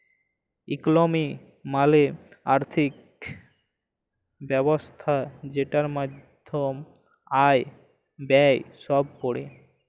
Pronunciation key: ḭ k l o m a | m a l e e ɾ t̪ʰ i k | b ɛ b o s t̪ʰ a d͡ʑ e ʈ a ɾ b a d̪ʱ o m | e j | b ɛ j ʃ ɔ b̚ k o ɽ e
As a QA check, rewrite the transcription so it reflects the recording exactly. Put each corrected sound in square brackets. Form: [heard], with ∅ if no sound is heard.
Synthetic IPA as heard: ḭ k l o m [i] | m a l e [a] ɾ t̪ʰ i k | b ɛ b o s t̪ʰ a d͡ʑ e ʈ a ɾ [m] a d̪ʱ o m | [a] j | b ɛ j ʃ ɔ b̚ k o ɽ e